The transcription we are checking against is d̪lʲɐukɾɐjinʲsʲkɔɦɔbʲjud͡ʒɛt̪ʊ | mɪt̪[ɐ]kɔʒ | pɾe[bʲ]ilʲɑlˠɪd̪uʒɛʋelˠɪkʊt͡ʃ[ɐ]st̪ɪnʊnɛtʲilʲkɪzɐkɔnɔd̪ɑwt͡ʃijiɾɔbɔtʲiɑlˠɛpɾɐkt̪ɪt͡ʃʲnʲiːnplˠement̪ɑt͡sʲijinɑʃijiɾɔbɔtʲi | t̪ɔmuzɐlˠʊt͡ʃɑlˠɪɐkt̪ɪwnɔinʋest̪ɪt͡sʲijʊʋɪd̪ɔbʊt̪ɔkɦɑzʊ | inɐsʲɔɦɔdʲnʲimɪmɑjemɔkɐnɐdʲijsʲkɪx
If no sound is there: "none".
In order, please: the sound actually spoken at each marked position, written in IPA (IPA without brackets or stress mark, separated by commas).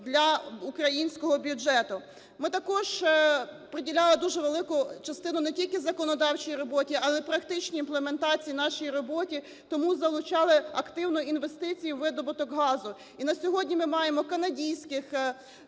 ɐ, dʲ, ɐ